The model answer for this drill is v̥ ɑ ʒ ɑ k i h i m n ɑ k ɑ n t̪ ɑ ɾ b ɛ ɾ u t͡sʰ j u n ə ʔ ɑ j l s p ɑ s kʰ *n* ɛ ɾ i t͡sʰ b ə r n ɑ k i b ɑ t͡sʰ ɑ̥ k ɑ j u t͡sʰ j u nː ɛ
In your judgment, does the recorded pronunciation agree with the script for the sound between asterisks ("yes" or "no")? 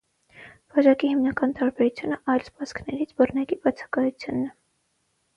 yes